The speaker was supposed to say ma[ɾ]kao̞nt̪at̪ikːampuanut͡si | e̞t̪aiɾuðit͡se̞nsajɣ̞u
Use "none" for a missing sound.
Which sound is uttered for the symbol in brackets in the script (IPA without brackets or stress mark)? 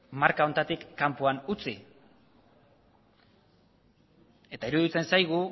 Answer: ɾ